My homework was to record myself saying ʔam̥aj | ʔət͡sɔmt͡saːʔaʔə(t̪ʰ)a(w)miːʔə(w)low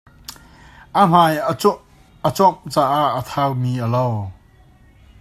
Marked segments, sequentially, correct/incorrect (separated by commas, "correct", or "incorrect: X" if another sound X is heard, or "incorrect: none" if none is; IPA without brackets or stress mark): correct, correct, incorrect: none